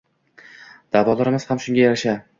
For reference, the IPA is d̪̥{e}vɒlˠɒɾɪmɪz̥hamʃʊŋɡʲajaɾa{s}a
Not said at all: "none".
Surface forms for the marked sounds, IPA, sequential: a, ʃ

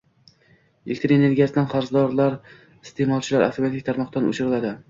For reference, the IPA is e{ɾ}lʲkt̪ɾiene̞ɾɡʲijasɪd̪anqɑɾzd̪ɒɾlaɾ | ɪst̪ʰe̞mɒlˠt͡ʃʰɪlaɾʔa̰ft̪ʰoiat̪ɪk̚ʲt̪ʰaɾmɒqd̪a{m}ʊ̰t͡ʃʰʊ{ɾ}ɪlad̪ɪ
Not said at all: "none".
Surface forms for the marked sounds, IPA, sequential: none, n, ɾ

